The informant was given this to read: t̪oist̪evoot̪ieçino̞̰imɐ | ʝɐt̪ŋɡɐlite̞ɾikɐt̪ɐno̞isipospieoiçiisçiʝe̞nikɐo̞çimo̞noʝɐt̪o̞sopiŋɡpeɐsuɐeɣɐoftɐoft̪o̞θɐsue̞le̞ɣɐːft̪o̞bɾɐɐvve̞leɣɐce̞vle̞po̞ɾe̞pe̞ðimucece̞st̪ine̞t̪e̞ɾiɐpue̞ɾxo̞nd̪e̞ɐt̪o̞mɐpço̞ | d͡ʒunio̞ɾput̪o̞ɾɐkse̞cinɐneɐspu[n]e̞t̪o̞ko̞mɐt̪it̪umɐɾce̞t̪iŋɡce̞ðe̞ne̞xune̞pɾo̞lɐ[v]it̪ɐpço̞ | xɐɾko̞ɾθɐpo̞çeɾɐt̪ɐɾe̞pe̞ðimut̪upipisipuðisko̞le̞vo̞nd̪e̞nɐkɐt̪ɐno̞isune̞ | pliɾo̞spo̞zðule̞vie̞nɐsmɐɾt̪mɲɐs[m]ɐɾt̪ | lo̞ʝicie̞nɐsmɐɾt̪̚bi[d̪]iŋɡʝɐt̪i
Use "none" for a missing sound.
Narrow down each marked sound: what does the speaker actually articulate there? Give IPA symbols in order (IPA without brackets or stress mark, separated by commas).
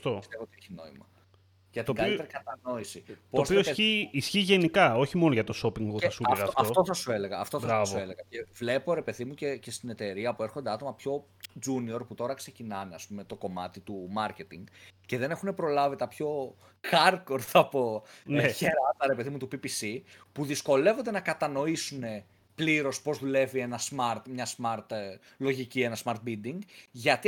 m, v, m, d̪